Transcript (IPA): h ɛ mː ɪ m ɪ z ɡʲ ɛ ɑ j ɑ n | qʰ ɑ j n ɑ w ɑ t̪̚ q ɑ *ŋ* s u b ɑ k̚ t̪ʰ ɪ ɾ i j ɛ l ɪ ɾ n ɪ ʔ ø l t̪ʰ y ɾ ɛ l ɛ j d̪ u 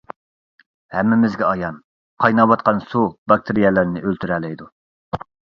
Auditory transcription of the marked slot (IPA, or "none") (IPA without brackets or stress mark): n